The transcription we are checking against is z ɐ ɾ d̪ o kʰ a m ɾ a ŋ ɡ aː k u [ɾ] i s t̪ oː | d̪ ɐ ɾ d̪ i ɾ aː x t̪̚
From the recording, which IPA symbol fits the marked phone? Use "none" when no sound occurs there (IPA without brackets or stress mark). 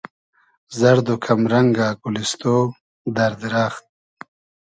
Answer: l